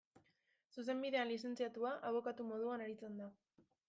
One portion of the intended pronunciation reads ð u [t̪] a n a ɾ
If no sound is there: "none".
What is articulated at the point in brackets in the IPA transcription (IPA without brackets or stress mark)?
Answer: none